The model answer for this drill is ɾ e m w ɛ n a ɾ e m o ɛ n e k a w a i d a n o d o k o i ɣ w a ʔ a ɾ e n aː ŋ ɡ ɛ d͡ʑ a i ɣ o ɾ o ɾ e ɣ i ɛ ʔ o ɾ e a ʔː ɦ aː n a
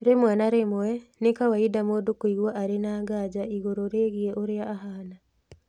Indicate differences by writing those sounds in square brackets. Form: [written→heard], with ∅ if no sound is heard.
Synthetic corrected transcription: ɾ e m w ɛ n a ɾ e m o ɛ n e k a w a i d a [n→m] o d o k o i ɣ w a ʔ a ɾ e n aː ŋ ɡ [ɛ→a] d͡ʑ a i ɣ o ɾ o ɾ e ɣ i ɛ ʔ o ɾ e a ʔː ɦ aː n a